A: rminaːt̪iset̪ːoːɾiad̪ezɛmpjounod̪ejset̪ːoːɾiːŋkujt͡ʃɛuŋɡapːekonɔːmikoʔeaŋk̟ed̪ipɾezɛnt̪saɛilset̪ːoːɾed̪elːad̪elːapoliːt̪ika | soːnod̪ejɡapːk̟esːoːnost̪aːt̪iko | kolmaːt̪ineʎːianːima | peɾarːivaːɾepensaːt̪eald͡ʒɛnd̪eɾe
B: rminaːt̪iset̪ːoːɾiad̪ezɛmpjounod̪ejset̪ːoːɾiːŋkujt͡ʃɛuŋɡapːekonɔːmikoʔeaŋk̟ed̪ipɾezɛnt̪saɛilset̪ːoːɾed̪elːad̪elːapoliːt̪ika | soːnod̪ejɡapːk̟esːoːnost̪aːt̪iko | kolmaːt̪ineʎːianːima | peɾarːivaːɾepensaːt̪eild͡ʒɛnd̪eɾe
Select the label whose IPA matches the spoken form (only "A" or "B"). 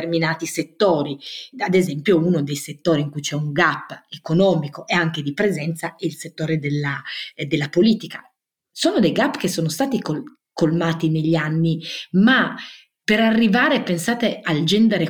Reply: A